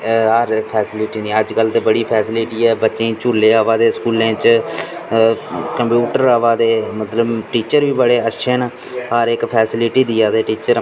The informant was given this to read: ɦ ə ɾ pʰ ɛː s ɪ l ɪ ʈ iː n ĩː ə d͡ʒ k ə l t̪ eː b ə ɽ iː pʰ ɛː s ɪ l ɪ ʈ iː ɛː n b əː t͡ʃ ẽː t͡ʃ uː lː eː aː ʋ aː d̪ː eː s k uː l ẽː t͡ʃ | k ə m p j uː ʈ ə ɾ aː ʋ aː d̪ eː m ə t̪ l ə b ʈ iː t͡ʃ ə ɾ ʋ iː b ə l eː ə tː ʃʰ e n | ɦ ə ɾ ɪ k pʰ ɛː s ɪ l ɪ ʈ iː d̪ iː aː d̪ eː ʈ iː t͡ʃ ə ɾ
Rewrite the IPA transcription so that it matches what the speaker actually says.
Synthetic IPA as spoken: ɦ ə ɾ pʰ ɛː s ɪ l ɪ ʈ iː n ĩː ə d͡ʒ k ə l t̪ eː b ə ɽ iː pʰ ɛː s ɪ l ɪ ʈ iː ɛː b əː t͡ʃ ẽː t͡ʃ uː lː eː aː ʋ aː d̪ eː s k uː l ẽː t͡ʃ | k ə m p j uː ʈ ə ɾ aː ʋ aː d̪ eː m ə t̪ l ə b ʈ iː t͡ʃ ə ɾ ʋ iː b ə ɽ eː ə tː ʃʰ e n | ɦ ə ɾ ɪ k pʰ ɛː s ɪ l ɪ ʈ iː d̪ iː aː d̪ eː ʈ iː t͡ʃ ə ɾ

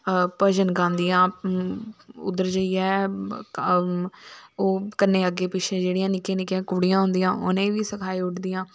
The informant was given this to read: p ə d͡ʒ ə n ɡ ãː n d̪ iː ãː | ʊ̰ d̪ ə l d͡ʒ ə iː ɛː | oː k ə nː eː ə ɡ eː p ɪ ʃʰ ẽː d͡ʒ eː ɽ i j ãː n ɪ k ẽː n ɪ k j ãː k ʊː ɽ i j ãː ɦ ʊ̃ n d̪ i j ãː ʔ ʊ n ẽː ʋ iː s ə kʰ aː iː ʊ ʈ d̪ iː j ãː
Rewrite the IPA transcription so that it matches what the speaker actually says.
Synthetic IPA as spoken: p ə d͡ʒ ə n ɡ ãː n d̪ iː ãː | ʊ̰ d̪ ə ɾ d͡ʒ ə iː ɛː | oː k ə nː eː ə ɡ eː p ɪ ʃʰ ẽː d͡ʒ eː ɽ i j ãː n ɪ k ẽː n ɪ k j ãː k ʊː ɽ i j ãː ɦ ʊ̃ n d̪ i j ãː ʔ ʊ n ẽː ʋ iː s ə kʰ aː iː ʊ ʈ d̪ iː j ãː

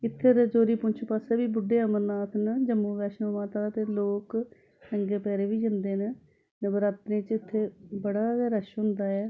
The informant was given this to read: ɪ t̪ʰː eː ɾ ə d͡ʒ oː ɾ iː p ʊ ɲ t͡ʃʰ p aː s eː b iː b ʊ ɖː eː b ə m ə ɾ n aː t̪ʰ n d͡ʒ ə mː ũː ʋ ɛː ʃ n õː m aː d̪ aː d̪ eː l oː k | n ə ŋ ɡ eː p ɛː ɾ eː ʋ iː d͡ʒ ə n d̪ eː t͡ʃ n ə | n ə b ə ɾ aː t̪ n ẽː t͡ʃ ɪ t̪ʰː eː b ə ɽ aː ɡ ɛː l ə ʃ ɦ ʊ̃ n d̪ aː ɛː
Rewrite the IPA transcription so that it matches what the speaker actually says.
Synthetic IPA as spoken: ɪ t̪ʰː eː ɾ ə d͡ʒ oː ɾ iː p ʊ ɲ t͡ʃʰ p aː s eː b iː b ʊ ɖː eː ə m ə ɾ n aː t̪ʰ n d͡ʒ ə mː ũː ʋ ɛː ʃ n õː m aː t̪ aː t̪ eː l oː k | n ə ŋ ɡ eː p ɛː ɾ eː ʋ iː d͡ʒ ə n d̪ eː n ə | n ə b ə ɾ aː t̪ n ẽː t͡ʃ ɪ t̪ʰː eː b ə ɽ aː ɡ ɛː ɾ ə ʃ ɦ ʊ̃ n d̪ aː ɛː

